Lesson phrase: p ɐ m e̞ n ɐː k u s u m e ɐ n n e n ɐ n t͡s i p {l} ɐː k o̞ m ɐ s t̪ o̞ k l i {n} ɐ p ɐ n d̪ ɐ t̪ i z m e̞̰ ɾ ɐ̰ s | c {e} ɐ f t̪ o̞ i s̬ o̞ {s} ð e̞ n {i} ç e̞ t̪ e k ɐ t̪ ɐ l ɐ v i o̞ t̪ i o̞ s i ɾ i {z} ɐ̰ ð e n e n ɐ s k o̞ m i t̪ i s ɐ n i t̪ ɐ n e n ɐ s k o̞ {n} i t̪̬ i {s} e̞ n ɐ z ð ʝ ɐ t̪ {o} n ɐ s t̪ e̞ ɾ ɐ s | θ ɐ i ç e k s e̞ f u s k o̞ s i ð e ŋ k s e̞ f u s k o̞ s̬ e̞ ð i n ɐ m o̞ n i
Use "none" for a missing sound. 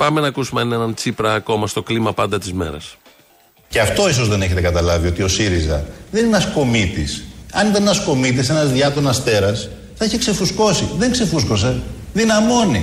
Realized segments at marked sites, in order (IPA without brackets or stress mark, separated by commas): ɾ, m, e, z, e, z, m, s, o